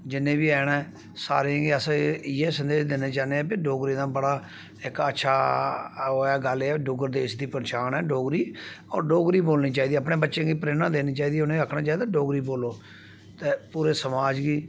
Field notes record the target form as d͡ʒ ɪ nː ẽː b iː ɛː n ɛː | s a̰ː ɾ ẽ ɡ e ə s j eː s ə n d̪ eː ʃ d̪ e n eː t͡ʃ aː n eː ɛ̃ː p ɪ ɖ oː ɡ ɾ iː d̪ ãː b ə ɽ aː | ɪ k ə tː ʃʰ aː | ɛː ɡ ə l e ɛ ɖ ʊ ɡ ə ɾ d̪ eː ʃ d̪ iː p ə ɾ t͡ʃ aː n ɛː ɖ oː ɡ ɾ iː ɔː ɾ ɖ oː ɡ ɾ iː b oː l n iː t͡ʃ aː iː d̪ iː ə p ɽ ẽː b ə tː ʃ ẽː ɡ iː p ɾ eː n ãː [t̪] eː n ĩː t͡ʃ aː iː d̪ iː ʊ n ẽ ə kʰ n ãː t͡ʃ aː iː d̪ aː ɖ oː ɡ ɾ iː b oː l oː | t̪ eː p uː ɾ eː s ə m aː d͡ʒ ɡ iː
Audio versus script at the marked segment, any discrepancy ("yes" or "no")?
yes